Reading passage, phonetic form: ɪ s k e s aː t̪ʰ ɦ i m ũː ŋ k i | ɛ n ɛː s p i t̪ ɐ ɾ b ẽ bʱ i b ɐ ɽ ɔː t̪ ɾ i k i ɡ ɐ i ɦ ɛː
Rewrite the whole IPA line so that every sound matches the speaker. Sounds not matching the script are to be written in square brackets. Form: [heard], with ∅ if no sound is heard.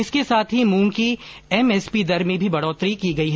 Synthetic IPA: ɪ s k e s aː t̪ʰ ɦ i m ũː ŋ k i | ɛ [m] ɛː s p i [d̪] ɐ ɾ [m] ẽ bʱ i b ɐ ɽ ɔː t̪ ɾ i k i ɡ ɐ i ɦ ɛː